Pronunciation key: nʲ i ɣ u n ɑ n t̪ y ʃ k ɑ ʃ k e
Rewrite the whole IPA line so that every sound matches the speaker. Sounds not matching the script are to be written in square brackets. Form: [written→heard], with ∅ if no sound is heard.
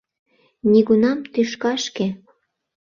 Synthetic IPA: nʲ i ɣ u n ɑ [n→m] t̪ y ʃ k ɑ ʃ k e